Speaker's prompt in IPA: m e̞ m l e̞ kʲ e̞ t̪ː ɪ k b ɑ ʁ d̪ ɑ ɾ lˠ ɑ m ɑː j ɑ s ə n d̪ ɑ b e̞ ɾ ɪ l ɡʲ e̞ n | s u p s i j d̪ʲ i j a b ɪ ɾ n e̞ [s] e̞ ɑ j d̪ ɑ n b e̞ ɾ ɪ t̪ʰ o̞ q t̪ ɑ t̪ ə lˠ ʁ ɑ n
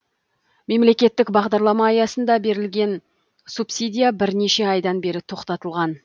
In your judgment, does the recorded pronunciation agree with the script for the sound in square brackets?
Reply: no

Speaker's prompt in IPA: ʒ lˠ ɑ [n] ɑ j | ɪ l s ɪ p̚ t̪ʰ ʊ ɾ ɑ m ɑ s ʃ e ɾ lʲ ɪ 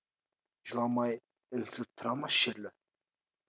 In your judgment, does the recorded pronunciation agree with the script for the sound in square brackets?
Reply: no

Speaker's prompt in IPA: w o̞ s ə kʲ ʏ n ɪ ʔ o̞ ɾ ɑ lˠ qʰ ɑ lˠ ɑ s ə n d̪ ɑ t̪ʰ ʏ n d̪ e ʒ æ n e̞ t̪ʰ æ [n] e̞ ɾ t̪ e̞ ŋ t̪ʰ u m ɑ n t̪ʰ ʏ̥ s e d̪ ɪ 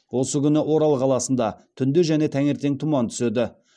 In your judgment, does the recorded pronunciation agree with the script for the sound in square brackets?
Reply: no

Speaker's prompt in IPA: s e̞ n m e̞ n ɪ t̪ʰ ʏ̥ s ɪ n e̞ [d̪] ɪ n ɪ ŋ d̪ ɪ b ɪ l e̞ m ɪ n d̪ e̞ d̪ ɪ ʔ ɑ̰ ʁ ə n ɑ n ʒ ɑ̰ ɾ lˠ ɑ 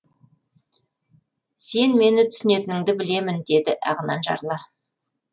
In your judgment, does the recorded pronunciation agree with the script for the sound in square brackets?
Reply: no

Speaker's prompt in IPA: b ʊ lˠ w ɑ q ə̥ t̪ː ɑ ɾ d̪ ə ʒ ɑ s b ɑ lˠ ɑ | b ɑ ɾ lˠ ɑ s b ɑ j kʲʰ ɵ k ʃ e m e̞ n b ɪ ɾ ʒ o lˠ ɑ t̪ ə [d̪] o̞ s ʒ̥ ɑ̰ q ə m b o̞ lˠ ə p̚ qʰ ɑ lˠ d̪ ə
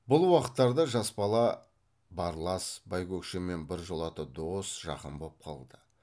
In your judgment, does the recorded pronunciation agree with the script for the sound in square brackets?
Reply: yes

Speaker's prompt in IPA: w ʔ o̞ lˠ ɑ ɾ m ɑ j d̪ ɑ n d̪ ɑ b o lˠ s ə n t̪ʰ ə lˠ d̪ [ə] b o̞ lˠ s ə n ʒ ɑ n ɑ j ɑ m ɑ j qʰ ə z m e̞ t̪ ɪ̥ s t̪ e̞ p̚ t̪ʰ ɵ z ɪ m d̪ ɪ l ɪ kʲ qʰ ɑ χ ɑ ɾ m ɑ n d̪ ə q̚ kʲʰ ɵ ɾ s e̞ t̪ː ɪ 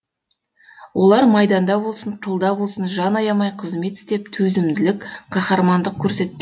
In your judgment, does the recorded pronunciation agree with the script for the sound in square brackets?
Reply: no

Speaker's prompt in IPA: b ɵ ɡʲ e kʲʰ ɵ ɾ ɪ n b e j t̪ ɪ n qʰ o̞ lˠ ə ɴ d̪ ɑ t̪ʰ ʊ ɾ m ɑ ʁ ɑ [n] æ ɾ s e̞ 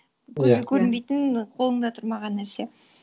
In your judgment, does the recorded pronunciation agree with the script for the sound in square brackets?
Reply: no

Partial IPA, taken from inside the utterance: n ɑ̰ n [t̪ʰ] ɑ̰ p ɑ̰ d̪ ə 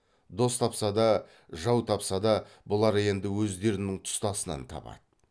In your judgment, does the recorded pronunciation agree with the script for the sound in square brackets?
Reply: yes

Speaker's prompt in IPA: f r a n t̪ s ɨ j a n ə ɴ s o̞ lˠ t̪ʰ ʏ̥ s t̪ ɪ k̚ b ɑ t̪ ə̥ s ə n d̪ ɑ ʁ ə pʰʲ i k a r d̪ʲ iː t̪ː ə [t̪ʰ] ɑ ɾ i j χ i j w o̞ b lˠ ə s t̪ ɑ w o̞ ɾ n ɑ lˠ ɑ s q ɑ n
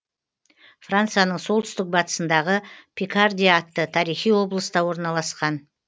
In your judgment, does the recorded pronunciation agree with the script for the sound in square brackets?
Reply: yes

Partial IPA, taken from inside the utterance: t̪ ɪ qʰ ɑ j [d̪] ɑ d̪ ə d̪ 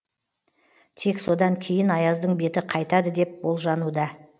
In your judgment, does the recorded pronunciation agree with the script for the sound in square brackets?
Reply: no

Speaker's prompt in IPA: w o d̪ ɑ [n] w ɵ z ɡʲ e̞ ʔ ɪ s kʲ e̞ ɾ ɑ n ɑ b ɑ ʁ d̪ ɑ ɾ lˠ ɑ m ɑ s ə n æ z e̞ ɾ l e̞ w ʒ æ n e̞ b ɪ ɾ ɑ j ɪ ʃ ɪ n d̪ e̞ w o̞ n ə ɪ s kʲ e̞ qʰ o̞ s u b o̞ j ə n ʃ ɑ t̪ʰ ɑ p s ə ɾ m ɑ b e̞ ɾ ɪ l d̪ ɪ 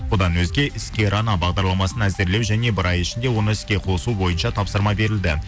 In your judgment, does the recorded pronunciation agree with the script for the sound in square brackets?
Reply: yes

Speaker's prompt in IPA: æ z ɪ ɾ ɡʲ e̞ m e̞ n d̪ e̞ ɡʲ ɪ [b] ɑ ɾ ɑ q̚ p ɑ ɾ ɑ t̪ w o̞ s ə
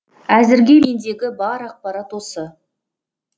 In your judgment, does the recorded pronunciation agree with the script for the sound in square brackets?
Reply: yes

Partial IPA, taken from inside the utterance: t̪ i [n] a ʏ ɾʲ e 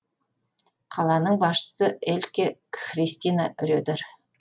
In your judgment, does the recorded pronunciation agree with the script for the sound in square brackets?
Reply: yes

